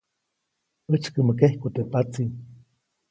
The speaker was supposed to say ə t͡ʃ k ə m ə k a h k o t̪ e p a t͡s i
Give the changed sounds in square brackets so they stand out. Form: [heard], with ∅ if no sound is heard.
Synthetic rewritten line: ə t͡ʃ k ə m ə k [e] h k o t̪ e p a t͡s i

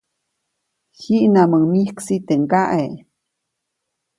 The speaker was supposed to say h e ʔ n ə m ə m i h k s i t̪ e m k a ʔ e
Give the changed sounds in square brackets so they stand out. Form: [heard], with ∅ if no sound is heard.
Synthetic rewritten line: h [i] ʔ n [a] m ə m i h k s i t̪ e [ŋ] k a ʔ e

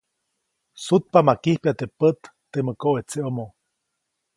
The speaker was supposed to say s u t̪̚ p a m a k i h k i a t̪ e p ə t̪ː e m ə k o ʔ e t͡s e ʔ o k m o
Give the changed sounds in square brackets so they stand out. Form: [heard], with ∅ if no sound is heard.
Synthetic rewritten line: s u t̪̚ p a m a k i h [p] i a t̪ e p ə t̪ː e m ə k o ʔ e t͡s e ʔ o [∅] m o

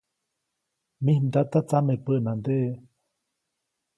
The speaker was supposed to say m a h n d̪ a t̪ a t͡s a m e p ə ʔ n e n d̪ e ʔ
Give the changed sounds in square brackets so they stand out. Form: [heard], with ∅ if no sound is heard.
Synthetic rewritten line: m [i] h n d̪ a t̪ a t͡s a m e p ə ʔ n [a] n d̪ e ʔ

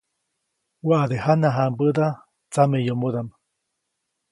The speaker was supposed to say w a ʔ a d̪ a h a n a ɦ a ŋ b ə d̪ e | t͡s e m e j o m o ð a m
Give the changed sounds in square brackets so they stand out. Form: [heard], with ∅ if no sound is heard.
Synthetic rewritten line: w a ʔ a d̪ [e] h a n a ɦ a [m] b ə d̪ [a] | t͡s [a] m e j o m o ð a m

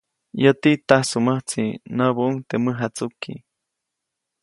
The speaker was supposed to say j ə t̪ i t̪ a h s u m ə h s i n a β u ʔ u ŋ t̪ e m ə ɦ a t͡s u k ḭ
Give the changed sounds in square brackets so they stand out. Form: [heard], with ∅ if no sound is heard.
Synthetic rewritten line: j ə t̪ i t̪ a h s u m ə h [t͡s] i n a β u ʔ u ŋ t̪ e m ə ɦ a t͡s u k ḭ

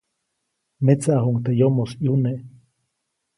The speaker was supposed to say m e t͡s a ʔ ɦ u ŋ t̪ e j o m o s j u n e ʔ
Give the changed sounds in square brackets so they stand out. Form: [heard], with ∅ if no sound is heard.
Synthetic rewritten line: m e t͡s a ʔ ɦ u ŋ t̪ e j o m o s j u n e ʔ

